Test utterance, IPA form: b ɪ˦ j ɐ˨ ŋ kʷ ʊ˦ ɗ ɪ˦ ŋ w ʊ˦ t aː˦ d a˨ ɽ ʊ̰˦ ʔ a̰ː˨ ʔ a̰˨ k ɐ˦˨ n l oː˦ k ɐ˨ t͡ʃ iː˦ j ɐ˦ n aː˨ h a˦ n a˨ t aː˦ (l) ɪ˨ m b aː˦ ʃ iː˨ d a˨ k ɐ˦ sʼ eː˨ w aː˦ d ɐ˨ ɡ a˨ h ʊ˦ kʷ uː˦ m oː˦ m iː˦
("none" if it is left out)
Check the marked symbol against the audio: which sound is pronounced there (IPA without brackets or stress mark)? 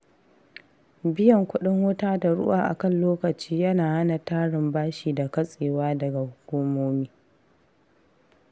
ɽ